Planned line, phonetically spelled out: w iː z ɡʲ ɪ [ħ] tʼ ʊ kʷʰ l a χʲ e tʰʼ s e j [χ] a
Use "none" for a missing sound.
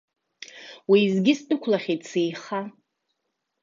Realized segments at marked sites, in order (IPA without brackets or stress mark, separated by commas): s, χ